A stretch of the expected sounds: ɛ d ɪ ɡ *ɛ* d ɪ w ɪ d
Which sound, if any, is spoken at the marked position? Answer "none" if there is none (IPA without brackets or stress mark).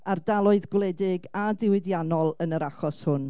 a